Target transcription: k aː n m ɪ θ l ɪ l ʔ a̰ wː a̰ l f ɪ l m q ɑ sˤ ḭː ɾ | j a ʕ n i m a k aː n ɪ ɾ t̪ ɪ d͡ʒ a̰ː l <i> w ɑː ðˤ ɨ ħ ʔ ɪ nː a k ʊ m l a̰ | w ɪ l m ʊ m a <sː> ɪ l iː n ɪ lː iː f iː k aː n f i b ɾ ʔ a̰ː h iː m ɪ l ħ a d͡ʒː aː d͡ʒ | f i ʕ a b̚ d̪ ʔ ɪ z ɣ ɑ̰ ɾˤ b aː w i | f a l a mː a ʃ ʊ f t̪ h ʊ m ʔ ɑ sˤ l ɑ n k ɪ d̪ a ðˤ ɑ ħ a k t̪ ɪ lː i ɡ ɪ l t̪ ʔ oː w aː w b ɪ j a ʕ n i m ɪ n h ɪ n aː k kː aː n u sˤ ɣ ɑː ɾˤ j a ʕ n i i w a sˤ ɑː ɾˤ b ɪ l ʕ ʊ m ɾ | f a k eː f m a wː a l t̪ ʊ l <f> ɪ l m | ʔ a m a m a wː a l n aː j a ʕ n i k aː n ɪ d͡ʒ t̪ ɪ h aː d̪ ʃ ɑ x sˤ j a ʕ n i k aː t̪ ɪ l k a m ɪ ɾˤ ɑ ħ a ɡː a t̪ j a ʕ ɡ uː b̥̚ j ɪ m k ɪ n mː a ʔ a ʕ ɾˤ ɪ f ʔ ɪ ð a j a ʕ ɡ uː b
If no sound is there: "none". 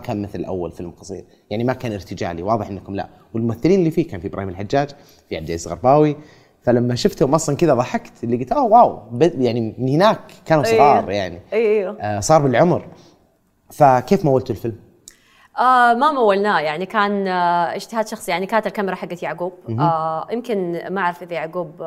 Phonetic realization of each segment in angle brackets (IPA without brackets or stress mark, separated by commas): i, θː, f